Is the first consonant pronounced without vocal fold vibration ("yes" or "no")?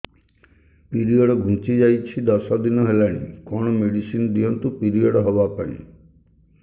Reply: yes